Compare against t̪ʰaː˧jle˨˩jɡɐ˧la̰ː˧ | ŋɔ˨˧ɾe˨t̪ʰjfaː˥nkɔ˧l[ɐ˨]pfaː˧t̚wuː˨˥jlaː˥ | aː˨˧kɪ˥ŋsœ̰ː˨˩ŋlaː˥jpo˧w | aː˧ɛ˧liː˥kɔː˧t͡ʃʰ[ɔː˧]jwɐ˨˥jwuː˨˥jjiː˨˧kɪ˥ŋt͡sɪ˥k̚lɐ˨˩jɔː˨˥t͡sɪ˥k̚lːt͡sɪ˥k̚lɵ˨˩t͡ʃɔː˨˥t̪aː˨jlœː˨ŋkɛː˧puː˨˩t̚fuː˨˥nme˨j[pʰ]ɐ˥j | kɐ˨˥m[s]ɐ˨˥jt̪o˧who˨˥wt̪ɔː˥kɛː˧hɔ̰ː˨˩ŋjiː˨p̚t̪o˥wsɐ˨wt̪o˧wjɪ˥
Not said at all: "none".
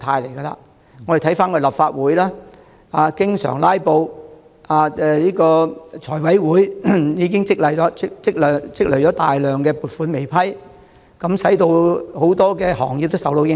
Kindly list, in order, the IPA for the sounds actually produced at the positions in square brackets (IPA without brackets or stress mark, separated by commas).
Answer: ɐ˨, ɔː˨˩, pʰ, s